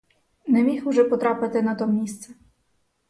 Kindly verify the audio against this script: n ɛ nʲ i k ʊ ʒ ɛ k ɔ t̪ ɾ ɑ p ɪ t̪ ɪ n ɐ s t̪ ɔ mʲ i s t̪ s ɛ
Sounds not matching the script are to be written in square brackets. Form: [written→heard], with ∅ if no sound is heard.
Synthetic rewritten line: n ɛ [nʲ→mʲ] i [k→x] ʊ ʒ ɛ [k→p] ɔ t̪ ɾ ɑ p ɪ t̪ ɪ n ɐ [s→∅] t̪ ɔ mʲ i s t̪ s ɛ